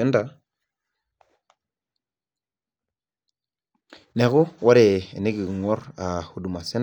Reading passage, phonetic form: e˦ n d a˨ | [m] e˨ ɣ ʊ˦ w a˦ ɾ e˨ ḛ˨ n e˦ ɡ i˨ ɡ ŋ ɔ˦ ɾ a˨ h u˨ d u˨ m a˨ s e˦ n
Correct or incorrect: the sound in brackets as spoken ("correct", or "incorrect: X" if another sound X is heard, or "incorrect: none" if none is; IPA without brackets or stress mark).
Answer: incorrect: n